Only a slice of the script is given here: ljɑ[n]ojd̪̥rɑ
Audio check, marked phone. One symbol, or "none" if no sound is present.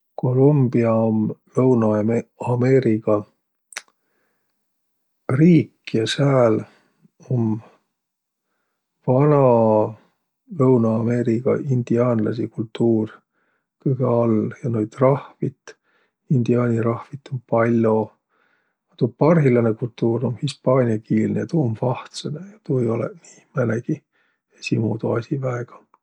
n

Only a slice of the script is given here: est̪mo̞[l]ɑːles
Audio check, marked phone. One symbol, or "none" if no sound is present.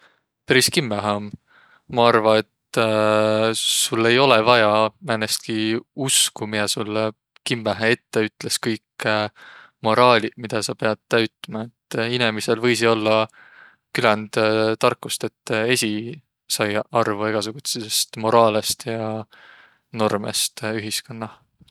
ɾ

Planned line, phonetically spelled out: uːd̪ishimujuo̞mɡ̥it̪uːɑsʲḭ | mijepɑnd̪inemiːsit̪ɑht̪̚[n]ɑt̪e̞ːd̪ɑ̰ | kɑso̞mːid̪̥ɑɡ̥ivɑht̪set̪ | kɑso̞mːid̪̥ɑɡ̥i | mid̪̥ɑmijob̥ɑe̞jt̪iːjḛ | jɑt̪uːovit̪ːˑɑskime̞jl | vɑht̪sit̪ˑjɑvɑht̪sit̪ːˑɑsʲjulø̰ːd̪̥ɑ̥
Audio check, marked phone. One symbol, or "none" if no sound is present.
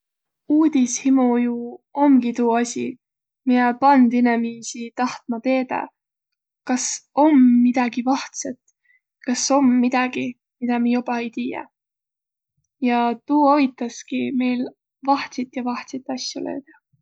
m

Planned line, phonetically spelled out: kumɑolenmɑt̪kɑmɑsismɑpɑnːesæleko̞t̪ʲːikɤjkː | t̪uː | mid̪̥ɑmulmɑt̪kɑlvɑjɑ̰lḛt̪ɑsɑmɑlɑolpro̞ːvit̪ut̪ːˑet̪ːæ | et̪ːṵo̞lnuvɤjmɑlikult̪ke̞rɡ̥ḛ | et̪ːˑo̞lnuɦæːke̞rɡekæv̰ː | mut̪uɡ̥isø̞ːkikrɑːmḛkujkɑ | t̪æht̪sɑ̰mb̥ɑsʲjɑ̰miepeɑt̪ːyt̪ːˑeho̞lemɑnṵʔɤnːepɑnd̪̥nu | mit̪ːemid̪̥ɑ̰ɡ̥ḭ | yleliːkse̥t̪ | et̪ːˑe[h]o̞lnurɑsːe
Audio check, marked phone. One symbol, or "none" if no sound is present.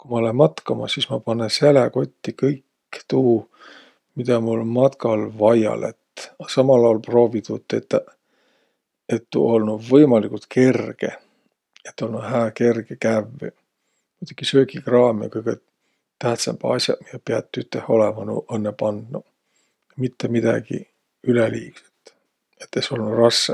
s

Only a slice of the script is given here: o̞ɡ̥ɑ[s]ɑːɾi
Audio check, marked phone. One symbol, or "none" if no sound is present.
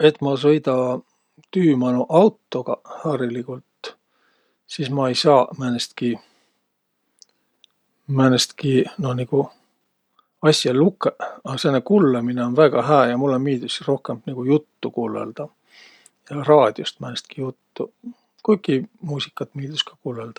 h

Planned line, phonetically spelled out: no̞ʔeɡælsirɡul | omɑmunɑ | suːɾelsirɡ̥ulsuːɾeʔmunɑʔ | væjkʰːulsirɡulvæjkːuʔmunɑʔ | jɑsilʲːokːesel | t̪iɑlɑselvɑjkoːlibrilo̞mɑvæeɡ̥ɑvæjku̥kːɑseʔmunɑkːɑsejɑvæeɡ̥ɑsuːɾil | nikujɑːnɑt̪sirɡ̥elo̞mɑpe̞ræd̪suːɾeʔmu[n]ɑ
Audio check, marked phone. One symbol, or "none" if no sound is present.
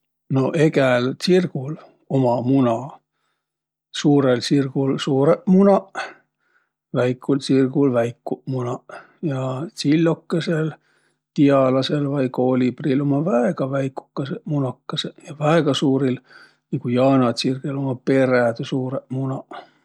n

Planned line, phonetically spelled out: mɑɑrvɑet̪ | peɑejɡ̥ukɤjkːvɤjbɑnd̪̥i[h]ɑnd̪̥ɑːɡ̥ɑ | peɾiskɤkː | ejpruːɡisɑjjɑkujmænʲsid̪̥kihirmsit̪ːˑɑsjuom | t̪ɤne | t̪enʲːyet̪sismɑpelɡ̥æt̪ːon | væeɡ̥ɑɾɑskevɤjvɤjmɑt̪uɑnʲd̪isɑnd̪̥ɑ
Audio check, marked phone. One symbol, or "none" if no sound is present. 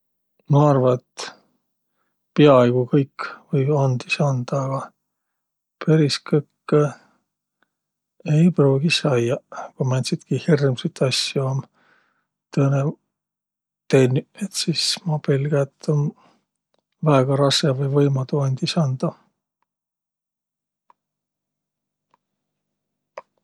s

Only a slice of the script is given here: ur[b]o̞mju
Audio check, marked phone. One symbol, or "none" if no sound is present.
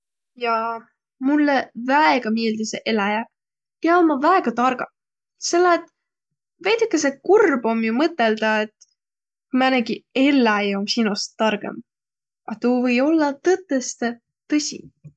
b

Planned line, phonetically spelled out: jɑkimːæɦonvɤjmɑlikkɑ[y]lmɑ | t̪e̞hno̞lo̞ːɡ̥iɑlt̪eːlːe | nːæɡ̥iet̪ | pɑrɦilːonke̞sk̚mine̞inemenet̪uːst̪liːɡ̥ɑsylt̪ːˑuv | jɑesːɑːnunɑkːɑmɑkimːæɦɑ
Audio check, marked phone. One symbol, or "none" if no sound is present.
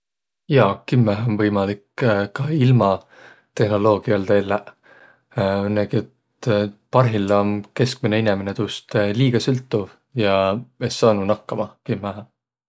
i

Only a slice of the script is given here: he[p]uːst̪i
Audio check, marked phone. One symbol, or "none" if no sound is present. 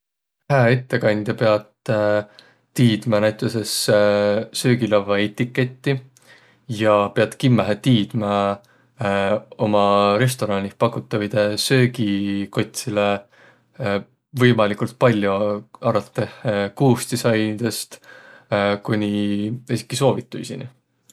k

